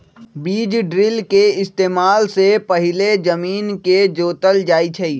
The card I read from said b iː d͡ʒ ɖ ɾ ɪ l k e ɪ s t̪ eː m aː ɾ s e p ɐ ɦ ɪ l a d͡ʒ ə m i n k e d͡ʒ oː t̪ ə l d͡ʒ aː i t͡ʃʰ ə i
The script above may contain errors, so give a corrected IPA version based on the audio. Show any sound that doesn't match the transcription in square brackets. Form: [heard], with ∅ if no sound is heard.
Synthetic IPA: b iː d͡ʒ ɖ ɾ ɪ l k e ɪ s t̪ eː m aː [l] s e p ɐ ɦ ɪ l [e] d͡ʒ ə m [iː] n k e d͡ʒ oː t̪ ə l d͡ʒ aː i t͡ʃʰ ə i